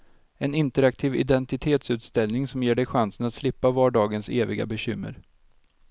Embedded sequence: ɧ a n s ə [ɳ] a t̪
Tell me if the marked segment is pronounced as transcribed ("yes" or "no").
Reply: no